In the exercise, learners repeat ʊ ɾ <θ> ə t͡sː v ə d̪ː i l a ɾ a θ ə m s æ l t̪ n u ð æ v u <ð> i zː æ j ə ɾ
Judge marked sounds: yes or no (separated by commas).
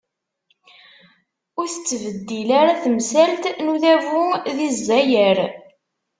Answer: yes, yes